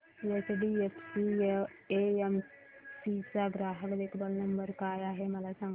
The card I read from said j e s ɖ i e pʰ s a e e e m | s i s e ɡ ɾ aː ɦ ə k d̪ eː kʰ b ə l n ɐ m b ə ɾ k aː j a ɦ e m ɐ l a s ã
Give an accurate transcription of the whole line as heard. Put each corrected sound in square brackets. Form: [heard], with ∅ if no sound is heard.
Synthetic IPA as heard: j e s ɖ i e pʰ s [i] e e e m | s i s [a] ɡ ɾ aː ɦ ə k d̪ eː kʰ b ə l n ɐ m b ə ɾ k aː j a ɦ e m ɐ l a s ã